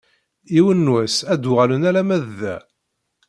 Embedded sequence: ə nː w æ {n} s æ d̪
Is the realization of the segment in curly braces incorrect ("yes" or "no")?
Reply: yes